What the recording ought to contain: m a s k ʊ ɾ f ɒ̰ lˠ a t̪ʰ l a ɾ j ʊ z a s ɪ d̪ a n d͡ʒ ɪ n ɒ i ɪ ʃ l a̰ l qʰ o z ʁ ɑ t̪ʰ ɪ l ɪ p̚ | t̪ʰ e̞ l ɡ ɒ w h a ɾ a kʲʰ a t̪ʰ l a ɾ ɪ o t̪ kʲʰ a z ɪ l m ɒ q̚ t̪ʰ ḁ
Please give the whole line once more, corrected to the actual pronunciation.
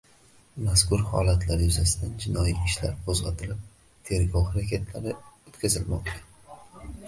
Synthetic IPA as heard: m a s k ʊ ɾ h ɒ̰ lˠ a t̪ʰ l a ɾ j ʊ z a s ɪ d̪ a n d͡ʒ ɪ n ɒ i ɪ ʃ l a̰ ɾ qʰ o z ʁ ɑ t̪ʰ ɪ l ɪ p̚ | t̪ʰ e̞ ɾ ɡ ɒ w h a ɾ a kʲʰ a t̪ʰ l a ɾ ɪ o t̪ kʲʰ a z ɪ l m ɒ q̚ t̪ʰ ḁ